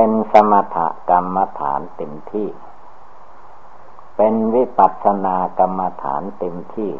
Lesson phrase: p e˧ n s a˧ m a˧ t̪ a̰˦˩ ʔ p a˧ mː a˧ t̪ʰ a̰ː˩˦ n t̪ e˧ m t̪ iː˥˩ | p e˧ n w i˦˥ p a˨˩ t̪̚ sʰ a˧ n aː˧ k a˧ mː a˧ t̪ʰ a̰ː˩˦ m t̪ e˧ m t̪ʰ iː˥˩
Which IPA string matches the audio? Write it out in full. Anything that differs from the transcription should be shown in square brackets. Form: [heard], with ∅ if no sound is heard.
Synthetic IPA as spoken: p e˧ n s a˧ m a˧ [t̪ʰ] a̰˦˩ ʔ [k] a˧ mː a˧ t̪ʰ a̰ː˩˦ n t̪ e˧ m [t̪ʰ] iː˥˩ | p e˧ n w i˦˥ p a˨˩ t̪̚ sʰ a˧ n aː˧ k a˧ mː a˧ t̪ʰ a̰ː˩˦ [n] t̪ e˧ m t̪ʰ iː˥˩